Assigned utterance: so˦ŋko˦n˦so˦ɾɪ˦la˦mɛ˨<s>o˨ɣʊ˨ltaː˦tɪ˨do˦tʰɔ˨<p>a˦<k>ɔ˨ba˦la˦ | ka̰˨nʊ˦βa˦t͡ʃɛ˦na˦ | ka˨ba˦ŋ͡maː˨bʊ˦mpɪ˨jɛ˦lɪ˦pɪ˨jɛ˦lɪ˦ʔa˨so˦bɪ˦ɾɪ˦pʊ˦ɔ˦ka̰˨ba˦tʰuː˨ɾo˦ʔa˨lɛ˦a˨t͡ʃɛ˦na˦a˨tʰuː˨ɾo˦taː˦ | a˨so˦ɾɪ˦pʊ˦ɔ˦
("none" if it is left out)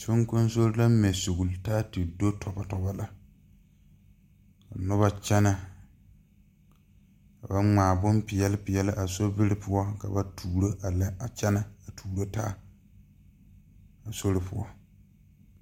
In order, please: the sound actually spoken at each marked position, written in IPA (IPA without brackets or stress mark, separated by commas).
s, b, t